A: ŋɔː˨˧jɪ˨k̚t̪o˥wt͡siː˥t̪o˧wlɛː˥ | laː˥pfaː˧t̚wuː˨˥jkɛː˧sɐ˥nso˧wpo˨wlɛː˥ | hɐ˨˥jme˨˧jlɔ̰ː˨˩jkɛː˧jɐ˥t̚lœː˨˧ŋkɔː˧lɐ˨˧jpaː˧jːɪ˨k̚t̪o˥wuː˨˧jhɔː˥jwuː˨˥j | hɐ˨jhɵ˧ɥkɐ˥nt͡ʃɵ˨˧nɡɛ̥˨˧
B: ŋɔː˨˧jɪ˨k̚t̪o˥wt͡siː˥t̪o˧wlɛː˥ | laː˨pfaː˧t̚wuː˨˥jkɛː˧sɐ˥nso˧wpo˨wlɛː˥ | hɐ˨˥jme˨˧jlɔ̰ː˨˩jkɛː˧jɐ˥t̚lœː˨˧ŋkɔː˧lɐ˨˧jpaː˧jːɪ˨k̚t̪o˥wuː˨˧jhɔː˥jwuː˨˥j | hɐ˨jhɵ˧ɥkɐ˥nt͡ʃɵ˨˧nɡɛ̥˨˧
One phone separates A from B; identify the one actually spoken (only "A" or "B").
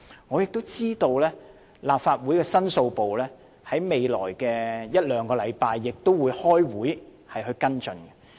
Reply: B